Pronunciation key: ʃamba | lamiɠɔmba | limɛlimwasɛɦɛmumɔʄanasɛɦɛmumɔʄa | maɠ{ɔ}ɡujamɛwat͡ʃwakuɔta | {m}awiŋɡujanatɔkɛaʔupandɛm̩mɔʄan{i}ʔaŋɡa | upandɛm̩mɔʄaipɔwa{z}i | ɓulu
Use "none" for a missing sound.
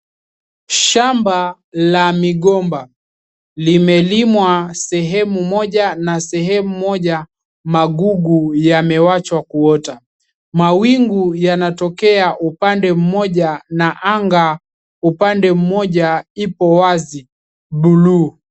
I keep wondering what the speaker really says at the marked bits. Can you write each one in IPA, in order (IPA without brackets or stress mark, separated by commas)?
u, m, a, z